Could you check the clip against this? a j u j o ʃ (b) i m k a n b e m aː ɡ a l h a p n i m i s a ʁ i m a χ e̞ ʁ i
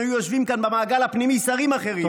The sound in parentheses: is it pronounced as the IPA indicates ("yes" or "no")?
no